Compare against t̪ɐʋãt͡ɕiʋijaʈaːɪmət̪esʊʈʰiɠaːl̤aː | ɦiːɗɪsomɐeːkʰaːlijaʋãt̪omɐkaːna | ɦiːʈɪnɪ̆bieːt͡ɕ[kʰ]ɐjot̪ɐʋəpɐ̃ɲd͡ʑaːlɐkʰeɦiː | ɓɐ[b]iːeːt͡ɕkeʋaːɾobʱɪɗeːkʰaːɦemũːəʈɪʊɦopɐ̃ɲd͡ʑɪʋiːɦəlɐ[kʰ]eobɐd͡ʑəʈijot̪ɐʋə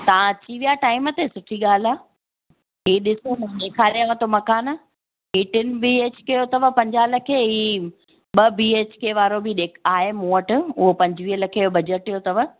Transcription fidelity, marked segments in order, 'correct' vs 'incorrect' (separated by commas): incorrect, correct, correct